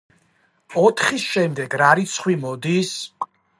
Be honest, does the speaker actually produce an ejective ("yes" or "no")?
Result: no